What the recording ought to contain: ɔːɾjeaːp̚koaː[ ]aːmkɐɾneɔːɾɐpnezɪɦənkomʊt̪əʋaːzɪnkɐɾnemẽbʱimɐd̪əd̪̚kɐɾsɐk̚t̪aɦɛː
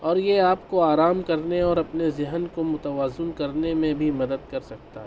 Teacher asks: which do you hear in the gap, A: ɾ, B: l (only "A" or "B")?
A